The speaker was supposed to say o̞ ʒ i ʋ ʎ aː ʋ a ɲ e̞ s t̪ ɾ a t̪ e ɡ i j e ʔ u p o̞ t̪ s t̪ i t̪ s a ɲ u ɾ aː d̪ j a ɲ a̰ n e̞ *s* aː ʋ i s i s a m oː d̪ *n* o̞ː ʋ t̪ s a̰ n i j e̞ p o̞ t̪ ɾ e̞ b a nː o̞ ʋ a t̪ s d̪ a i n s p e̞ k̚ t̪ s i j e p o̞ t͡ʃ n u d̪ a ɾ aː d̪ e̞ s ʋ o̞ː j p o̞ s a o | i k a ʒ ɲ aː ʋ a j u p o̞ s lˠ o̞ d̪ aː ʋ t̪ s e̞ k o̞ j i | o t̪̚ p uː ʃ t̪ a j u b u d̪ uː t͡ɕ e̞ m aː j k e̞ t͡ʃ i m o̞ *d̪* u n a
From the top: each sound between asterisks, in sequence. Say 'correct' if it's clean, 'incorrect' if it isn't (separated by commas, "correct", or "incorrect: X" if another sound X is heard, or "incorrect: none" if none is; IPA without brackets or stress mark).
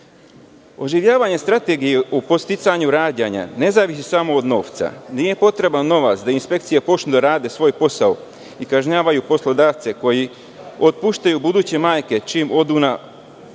incorrect: z, correct, correct